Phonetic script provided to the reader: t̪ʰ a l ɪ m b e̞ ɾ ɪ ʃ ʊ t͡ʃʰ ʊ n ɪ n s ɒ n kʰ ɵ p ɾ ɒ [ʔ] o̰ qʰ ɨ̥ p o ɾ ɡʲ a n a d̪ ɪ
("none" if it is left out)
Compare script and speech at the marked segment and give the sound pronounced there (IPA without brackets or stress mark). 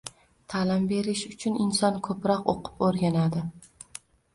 q